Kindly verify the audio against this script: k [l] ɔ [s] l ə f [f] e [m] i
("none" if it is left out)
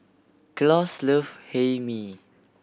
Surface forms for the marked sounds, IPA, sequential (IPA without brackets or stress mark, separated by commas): l, s, h, m